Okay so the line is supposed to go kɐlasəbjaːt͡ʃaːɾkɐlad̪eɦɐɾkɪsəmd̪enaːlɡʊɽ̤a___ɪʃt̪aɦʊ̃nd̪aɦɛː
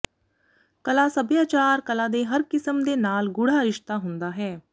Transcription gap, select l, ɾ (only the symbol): ɾ